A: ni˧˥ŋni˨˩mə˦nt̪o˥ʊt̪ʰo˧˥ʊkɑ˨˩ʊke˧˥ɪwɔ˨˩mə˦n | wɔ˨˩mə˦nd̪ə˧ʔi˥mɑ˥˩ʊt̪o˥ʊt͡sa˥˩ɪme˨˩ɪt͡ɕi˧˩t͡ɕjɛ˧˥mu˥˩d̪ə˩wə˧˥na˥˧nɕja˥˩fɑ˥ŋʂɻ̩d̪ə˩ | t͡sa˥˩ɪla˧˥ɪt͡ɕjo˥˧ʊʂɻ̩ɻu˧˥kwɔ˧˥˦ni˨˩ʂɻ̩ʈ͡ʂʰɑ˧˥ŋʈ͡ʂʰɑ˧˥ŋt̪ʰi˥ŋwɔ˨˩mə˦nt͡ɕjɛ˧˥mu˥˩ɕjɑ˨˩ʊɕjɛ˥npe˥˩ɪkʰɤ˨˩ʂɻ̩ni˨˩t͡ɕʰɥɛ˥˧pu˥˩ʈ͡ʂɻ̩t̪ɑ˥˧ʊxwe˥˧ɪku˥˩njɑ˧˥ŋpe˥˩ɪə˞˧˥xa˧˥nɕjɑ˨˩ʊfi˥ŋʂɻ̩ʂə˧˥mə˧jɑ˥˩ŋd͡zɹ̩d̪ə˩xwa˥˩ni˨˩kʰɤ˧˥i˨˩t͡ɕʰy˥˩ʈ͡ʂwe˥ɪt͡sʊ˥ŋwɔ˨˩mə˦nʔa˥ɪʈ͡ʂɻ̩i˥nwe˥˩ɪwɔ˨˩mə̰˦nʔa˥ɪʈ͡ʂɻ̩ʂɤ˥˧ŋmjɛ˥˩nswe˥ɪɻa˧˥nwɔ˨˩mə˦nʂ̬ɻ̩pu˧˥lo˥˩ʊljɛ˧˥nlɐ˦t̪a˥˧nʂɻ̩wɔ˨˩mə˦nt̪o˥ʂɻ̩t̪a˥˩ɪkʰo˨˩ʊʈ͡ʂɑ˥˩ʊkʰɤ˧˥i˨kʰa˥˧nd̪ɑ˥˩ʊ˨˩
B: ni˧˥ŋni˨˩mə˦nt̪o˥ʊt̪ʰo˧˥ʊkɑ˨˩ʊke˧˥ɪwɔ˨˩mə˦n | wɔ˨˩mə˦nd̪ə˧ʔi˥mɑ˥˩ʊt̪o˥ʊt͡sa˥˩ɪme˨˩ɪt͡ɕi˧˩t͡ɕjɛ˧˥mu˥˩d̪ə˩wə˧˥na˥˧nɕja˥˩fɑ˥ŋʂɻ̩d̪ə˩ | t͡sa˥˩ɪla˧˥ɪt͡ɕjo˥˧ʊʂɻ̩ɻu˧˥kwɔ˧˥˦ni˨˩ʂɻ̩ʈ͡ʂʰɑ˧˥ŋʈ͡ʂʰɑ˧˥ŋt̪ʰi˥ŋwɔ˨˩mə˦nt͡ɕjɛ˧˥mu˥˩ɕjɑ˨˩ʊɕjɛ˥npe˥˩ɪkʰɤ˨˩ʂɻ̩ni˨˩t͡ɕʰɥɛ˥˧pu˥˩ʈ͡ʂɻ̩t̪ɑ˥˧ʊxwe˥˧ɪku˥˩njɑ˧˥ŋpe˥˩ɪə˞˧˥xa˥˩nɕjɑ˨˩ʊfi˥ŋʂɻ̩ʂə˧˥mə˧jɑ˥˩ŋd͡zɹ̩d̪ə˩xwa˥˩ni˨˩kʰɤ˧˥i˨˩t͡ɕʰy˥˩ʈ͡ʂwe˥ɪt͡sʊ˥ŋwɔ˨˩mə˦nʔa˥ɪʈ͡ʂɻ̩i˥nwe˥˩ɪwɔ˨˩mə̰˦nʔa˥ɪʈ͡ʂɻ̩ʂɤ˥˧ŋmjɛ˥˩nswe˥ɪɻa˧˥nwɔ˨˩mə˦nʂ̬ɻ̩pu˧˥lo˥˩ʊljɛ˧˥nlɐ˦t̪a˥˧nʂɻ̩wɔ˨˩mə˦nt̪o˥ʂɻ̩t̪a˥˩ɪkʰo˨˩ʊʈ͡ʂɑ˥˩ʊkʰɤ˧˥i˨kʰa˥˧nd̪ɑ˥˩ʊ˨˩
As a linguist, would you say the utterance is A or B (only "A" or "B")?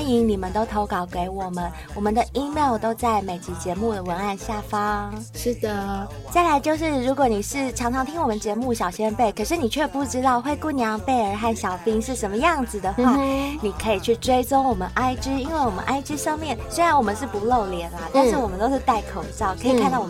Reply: B